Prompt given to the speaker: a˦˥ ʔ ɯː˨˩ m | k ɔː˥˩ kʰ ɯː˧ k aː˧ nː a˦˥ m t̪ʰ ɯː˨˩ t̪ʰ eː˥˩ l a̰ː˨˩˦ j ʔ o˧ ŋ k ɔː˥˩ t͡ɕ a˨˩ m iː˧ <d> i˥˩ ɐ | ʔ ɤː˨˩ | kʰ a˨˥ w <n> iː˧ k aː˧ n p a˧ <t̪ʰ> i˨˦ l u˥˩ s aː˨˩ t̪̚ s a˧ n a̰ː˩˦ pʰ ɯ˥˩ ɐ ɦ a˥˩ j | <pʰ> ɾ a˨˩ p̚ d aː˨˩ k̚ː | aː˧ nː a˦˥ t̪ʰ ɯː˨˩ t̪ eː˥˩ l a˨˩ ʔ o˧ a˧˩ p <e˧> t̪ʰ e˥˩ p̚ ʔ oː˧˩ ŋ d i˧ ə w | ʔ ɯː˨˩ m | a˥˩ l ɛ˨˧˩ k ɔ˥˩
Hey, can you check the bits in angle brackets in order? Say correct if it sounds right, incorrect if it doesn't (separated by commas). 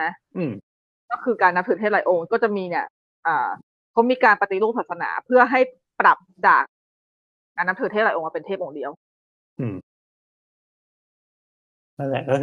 incorrect, incorrect, incorrect, incorrect, correct